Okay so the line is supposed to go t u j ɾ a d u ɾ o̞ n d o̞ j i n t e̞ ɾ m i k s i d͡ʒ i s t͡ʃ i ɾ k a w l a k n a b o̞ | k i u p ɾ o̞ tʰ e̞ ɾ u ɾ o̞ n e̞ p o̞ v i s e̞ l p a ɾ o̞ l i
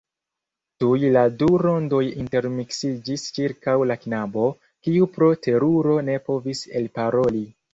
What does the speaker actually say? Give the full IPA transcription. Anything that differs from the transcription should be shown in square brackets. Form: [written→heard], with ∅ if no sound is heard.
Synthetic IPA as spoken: t u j [ɾ→l] a d u ɾ o̞ n d o̞ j i n t e̞ ɾ m i k s i d͡ʒ i s t͡ʃ i ɾ k a w l a k n a b o̞ | k i u p ɾ o̞ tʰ e̞ ɾ u ɾ o̞ n e̞ p o̞ v i s e̞ l p a ɾ o̞ l i